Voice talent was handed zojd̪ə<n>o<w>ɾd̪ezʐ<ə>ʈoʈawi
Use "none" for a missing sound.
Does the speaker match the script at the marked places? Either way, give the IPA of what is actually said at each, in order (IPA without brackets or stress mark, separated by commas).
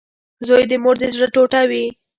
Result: m, none, ə